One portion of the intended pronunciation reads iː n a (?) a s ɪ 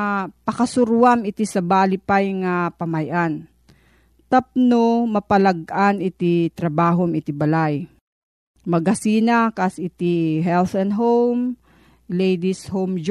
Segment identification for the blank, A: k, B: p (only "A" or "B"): A